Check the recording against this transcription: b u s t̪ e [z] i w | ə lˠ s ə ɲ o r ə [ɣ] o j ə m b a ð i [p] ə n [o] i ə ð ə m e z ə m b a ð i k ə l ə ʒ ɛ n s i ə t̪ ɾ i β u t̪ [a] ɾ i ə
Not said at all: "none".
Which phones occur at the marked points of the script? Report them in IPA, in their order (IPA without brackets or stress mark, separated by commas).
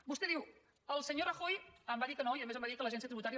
ð, x, k, o, a